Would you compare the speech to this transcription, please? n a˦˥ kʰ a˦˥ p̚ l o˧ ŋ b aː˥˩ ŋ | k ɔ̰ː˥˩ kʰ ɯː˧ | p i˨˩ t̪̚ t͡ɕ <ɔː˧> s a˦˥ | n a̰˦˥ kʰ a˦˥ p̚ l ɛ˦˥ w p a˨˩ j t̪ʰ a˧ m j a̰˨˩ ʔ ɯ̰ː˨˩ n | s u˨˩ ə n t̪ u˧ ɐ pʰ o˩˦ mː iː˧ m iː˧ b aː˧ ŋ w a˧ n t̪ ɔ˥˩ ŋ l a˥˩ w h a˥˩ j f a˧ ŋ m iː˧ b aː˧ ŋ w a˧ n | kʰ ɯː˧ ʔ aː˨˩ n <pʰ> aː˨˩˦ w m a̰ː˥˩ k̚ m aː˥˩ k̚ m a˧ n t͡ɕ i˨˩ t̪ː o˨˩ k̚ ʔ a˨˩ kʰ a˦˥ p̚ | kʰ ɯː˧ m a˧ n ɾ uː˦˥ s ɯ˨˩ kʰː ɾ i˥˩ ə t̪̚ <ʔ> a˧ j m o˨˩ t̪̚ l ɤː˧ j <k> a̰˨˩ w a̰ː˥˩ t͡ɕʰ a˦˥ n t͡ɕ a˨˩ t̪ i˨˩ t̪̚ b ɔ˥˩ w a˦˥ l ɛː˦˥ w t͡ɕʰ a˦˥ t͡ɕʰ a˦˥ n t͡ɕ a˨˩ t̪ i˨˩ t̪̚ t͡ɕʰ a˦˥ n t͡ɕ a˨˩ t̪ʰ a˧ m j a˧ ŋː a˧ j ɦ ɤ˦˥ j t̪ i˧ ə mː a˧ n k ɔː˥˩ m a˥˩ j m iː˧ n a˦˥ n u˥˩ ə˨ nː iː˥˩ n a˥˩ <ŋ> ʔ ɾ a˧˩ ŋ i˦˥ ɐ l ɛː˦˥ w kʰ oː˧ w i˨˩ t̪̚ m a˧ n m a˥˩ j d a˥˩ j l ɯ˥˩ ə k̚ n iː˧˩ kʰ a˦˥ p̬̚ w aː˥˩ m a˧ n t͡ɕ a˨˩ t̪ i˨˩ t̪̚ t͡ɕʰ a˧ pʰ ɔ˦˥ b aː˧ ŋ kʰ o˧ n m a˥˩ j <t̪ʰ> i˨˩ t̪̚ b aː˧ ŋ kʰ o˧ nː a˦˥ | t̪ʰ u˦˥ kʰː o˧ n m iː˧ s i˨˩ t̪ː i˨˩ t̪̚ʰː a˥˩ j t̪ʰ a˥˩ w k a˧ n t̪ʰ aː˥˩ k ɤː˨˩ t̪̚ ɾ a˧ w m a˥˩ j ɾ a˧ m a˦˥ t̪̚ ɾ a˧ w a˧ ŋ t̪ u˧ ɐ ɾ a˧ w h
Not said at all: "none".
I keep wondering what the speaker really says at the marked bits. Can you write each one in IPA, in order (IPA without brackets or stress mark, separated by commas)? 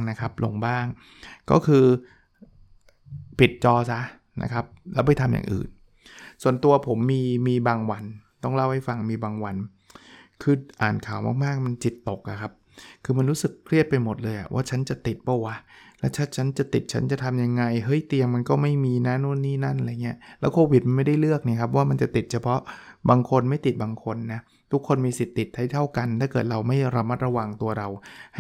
ɔː˧, kʰ, p, ʔ, n, t̪